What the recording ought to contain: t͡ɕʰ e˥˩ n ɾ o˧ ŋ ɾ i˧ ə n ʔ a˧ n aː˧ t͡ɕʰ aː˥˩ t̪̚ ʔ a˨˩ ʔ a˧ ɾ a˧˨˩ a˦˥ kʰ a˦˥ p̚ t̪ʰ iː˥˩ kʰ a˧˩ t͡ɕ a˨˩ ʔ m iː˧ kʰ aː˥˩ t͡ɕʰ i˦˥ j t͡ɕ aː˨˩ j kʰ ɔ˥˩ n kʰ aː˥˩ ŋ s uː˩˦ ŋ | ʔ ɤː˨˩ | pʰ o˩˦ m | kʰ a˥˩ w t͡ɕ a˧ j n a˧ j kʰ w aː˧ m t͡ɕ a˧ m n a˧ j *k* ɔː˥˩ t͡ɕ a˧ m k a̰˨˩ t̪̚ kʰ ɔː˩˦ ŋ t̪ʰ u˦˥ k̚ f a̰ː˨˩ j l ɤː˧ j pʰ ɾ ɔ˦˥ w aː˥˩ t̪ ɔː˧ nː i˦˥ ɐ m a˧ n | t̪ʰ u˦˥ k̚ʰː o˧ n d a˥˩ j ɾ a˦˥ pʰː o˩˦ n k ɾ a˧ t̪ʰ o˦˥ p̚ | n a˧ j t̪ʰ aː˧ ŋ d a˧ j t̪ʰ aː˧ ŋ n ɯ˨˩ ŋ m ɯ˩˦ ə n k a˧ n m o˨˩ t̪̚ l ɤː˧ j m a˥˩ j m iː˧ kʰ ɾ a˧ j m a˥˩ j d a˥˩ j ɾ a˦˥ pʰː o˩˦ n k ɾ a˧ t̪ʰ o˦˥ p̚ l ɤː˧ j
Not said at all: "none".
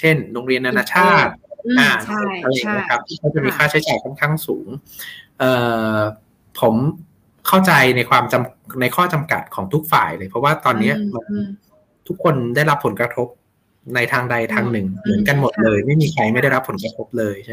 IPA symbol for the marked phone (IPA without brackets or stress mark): kʰ